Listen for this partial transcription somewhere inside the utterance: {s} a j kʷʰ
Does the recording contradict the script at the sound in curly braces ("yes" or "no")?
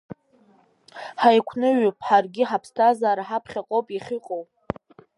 yes